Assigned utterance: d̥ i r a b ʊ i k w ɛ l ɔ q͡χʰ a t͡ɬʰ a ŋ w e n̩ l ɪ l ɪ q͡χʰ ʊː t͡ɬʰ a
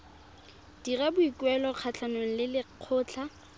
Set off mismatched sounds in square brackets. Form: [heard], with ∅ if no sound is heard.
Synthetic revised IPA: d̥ i r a b ʊ i k w ɛ l ɔ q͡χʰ a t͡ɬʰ a [n] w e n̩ l ɪ l ɪ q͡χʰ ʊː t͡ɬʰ a